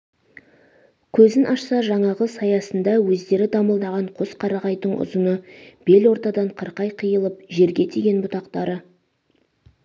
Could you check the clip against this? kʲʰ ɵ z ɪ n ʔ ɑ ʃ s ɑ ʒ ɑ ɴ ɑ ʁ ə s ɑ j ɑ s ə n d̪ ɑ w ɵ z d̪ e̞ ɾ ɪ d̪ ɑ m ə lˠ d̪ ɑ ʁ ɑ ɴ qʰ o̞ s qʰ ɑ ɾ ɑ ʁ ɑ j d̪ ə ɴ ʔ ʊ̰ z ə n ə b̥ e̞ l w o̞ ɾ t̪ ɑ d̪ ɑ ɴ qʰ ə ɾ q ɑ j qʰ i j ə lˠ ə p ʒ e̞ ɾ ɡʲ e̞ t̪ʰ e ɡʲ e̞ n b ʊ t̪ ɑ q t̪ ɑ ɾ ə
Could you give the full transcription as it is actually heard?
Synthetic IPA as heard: kʲʰ ɵ z ɪ n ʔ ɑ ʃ s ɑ ʒ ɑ ɴ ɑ ʁ ə s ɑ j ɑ s ə n d̪ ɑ w ɵ z d̪ e̞ ɾ ɪ d̪ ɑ m ə lˠ d̪ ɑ ʁ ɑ ɴ qʰ o̞ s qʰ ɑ ɾ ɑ ʁ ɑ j d̪ ə ɴ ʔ ʊ̰ z ə n ə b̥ e̞ l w o̞ ɾ t̪ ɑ d̪ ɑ ɴ qʰ ə ɾ q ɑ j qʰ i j ə lˠ ə p ʒ e̞ ɾ ɡʲ e̞ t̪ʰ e ɡʲ e̞ n b ʊ t̪ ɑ q t̪ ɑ ɾ ə

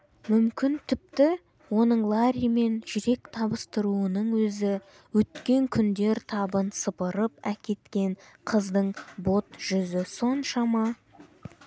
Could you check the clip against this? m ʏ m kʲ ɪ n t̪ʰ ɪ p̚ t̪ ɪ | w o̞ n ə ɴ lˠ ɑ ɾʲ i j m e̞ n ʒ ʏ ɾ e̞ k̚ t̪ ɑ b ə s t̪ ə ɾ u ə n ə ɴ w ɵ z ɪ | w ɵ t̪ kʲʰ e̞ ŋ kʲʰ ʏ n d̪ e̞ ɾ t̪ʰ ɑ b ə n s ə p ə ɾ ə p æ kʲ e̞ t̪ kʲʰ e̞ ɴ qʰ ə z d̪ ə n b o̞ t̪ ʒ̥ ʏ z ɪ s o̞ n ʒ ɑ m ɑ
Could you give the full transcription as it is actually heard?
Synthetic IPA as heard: m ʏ m kʲ ɪ n t̪ʰ ɪ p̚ t̪ ɪ | w o̞ n ə ɴ lˠ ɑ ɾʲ i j m e̞ n ʒ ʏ ɾ e̞ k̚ t̪ʰ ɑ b ə s t̪ ə ɾ u ə n ə ɴ w ɵ z ɪ | w ɵ t̪ kʲ e̞ ŋ kʲʰ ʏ n d̪ e̞ ɾ t̪ʰ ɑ b ə n s ə p ə ɾ ə p æ kʲ e̞ t̪ kʲ e̞ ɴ qʰ ə z d̪ ə ɴ b o̞ t̪ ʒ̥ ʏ z ɪ s o̞ n ʃ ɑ m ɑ

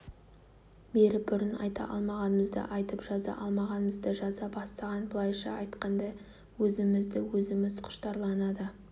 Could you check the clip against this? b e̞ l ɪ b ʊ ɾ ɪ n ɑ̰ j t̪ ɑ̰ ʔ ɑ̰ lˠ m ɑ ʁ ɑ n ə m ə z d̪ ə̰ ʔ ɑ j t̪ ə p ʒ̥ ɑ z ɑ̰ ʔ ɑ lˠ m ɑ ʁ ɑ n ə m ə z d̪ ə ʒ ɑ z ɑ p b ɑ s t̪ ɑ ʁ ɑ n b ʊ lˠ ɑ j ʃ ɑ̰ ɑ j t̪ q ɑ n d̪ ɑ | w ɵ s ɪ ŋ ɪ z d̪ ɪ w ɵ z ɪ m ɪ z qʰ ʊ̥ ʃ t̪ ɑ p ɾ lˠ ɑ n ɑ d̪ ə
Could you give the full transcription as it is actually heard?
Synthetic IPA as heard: b e̞ ɾ ɪ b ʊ ɾ ɪ n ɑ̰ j t̪ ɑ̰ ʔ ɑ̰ lˠ m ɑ ʁ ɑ n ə m ə z d̪ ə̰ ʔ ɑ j t̪ ə p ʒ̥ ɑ z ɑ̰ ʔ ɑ lˠ m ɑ ʁ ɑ n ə m ə z d̪ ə ʒ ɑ z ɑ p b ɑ s t̪ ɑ ʁ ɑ n b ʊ lˠ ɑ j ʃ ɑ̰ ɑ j t̪ q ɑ n d̪ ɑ | w ɵ z ɪ m ɪ z d̪ ɪ w ɵ z ɪ m ɪ z qʰ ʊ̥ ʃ t̪ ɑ ɾ lˠ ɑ n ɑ d̪ ə

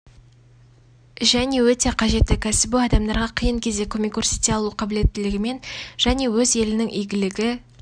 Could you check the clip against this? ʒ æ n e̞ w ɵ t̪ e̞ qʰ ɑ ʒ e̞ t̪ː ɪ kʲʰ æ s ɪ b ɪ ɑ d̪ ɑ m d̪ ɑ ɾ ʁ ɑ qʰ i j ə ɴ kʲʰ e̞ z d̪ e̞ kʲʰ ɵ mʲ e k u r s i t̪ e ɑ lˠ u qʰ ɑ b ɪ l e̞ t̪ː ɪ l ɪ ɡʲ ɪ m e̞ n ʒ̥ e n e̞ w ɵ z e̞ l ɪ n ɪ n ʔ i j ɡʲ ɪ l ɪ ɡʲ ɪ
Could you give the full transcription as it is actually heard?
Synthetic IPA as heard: ʒ æ n e̞ w ɵ t̪ e̞ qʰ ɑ ʒ e̞ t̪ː ɪ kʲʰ æ s ɪ b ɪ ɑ d̪ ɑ m d̪ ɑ ɾ ʁ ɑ qʰ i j ə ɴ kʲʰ e̞ z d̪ e̞ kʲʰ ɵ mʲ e k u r s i t̪ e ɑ lˠ u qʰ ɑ b ɪ l e̞ t̪ː ɪ l ɪ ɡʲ ɪ m e̞ n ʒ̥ æ n e̞ w ɵ z e̞ l ɪ n ɪ ŋ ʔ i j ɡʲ ɪ l ɪ ɡʲ ɪ

